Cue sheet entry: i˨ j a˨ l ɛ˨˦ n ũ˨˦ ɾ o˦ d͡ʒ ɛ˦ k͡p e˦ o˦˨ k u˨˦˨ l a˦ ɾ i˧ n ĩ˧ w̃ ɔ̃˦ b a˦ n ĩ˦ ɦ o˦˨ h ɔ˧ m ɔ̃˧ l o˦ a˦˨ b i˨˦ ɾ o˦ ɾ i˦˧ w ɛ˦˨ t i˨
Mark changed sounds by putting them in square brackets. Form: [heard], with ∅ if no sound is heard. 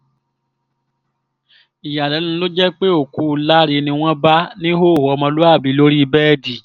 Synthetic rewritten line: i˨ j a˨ l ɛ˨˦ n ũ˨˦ [l] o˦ d͡ʒ ɛ˦ k͡p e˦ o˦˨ k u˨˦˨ l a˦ ɾ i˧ n ĩ˧ w̃ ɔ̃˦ b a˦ n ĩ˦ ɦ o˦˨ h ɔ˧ m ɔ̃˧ l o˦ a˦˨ b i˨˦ [l] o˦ ɾ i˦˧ [b] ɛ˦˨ [d] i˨